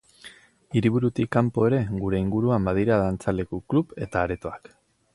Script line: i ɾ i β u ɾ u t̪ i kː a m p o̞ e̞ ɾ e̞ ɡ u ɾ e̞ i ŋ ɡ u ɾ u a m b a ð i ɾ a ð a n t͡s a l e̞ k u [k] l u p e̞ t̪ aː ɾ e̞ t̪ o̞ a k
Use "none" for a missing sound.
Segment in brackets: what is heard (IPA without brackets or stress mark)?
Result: k